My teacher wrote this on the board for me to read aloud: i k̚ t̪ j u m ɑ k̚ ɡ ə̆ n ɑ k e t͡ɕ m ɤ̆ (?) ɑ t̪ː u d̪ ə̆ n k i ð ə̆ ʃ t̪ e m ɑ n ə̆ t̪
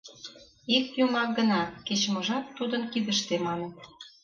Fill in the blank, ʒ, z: ʒ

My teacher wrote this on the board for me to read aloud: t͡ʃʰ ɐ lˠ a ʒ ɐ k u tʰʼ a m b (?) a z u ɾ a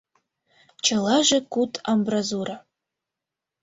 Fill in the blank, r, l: r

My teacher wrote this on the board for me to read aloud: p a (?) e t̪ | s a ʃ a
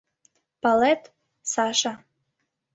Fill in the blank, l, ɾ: l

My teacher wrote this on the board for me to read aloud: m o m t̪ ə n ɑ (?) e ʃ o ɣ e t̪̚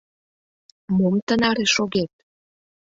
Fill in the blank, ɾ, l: ɾ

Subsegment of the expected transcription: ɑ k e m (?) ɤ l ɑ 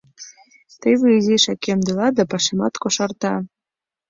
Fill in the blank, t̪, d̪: d̪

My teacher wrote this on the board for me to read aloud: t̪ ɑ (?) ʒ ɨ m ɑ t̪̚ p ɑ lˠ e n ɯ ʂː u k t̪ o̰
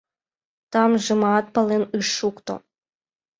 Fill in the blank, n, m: m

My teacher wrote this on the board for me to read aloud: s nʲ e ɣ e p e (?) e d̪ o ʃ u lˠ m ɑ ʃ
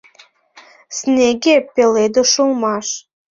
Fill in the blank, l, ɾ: l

